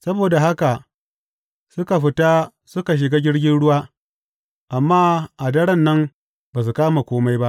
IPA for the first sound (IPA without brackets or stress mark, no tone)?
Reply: s